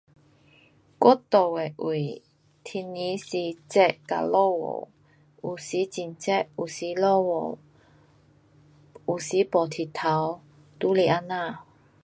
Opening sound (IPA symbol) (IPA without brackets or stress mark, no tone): k